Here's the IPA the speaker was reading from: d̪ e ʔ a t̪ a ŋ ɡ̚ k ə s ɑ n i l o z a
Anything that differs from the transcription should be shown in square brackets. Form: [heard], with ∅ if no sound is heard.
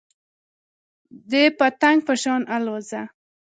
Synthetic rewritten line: d̪ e [p] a t̪ a ŋ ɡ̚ [p] ə [ʃ] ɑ n [a] l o z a